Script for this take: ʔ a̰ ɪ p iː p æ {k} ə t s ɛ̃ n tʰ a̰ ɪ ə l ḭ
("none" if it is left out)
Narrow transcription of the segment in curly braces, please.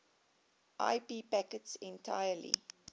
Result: k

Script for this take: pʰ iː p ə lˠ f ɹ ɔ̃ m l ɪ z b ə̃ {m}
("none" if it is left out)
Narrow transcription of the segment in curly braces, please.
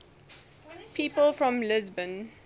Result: n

